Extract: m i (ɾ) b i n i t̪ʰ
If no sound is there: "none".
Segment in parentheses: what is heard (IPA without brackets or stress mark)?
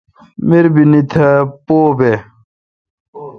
ɾ